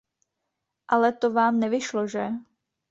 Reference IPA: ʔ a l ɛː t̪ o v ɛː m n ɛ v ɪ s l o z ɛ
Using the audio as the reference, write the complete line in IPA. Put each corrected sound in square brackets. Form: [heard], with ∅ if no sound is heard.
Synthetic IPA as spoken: ʔ a l [ɛ] t̪ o v [aː] m n ɛ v ɪ [ʃ] l o [ʒ] ɛ